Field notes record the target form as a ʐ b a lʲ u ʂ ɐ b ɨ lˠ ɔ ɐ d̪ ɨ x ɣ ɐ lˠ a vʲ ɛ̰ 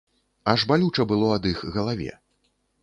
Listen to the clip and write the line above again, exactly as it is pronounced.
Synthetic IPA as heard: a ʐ b a lʲ u t͡ʂ ɐ b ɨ lˠ ɔ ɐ d̪ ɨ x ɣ ɐ lˠ a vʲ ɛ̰